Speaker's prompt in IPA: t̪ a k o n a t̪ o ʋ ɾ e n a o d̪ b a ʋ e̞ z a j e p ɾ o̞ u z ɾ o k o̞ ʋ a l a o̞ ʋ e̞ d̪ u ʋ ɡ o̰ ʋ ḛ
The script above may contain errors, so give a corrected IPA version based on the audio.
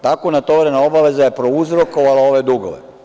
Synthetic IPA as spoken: t̪ a k o n a t̪ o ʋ ɾ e n a o b a ʋ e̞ z a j e p ɾ o̞ u z ɾ o k o̞ ʋ a l a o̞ ʋ e̞ d̪ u ɡ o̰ ʋ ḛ